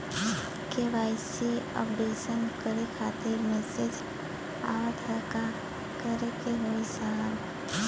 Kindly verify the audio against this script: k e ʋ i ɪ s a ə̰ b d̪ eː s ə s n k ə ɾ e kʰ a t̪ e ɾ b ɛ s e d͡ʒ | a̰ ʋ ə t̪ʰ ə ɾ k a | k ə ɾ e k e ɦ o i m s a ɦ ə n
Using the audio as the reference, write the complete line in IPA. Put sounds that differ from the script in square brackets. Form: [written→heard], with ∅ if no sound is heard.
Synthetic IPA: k e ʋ [i→a] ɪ s [a→e] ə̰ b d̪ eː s ə [s→∅] n k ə ɾ e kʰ a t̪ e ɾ [b→m] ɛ s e d͡ʒ | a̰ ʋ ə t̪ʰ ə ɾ k a | k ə ɾ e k e ɦ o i [m→∅] s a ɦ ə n